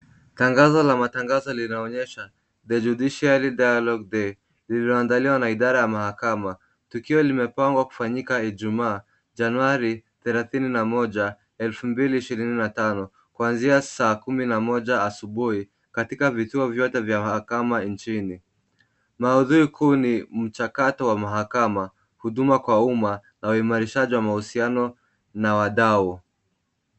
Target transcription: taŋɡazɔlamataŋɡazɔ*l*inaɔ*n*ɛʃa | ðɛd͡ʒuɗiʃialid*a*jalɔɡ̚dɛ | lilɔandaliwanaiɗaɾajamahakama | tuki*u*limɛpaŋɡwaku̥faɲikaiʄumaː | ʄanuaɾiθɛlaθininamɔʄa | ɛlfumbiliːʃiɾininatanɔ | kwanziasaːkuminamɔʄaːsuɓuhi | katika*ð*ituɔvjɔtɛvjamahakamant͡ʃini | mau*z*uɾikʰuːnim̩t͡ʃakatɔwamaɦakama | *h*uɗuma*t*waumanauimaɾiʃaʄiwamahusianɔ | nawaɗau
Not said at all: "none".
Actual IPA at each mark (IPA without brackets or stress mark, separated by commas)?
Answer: l, ɲ, a, ɔ, v, ð, h, k